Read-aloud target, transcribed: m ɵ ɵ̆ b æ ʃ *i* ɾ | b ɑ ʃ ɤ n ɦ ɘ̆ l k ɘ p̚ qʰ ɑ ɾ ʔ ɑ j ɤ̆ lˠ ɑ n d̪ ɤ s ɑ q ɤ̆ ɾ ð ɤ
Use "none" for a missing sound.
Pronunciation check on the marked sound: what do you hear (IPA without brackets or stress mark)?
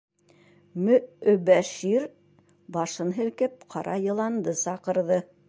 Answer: i